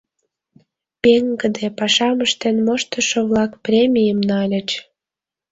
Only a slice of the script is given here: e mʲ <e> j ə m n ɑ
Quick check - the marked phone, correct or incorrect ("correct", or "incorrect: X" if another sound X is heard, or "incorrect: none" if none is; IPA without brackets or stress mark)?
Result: incorrect: i